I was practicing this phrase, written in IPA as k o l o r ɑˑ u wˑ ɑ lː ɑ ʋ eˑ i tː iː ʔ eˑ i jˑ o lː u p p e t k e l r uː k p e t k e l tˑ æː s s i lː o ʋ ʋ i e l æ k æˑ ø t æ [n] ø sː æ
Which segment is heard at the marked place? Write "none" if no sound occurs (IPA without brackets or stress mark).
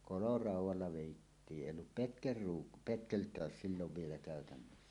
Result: nː